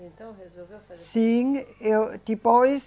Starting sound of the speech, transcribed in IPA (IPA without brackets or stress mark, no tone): s